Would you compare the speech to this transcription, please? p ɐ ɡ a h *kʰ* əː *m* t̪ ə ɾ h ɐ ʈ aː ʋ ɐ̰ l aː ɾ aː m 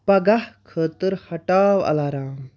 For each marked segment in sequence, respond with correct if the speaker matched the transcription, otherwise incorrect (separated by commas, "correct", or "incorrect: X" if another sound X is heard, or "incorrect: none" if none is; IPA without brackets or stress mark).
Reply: correct, incorrect: none